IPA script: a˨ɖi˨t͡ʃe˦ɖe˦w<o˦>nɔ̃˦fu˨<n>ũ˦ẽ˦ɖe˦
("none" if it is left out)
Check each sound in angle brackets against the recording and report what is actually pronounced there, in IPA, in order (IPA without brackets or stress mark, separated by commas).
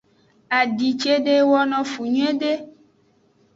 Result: ɔ˦, ɲ